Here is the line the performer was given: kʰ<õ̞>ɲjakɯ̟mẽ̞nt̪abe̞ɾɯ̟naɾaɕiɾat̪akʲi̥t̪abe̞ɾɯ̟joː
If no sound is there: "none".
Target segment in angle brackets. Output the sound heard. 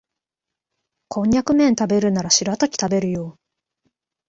õ̞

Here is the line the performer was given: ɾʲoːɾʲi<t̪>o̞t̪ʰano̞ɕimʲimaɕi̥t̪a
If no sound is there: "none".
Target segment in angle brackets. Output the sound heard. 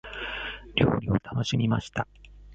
none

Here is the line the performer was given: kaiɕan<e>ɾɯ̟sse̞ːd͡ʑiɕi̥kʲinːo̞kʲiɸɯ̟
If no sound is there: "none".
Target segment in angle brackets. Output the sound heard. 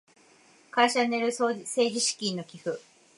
e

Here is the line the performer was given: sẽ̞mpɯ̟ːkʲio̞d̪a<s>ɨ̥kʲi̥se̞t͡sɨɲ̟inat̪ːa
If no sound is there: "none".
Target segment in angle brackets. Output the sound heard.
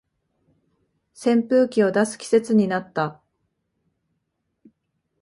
s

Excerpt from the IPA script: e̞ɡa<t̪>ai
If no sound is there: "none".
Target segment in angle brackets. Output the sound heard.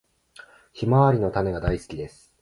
d̪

